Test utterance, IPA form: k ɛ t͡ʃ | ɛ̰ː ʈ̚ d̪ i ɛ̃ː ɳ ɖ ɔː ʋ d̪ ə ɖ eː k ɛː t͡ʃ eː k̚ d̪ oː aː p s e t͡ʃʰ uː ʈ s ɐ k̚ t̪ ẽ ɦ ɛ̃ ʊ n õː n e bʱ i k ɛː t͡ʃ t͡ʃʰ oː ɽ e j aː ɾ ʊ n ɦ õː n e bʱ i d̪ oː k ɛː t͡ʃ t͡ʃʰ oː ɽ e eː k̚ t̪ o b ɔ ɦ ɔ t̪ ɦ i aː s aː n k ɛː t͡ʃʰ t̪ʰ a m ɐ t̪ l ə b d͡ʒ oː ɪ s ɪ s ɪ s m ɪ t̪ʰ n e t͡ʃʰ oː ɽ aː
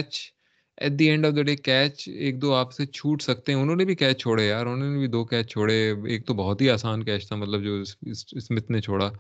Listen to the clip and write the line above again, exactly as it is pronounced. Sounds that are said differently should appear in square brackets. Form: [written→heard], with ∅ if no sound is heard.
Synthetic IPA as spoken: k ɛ t͡ʃ | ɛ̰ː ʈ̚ d̪ i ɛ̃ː ɳ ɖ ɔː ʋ d̪ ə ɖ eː k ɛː t͡ʃ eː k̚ d̪ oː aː p s e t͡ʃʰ uː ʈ s ɐ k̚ t̪ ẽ ɦ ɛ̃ ʊ n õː n e bʱ i k ɛː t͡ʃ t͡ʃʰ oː ɽ e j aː ɾ ʊ n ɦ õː n e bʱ i d̪ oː k ɛː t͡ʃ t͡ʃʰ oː ɽ e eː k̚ t̪ o b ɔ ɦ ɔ t̪ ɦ i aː s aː n k ɛː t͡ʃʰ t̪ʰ a m ɐ t̪ l ə b d͡ʒ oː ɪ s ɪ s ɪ s m ɪ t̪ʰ n e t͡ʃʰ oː ɽ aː